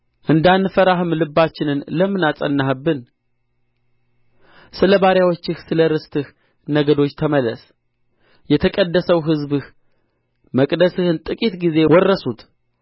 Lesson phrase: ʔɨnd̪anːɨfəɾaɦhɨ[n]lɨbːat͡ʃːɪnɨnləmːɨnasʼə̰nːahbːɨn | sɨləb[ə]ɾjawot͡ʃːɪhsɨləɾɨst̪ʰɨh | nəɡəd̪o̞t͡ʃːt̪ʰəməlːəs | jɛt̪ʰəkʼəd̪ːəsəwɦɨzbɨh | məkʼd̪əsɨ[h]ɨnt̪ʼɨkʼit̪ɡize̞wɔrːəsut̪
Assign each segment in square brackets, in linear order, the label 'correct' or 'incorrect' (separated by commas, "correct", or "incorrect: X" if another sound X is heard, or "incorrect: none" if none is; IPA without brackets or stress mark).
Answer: incorrect: m, incorrect: a, correct